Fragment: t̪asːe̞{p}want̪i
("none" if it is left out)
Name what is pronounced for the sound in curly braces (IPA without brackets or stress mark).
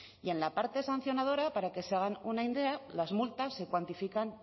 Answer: k